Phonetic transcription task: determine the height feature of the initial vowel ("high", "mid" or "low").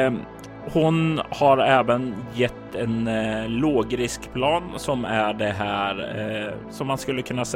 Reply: high